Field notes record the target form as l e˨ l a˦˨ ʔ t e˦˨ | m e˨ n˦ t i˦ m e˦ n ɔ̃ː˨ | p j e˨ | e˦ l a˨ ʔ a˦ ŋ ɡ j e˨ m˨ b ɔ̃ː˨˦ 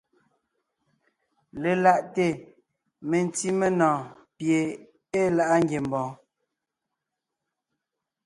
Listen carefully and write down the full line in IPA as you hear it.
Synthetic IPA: l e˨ l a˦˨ ʔ t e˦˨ | m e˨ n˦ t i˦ m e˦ n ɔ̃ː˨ | p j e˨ | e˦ l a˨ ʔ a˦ ŋ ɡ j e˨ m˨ b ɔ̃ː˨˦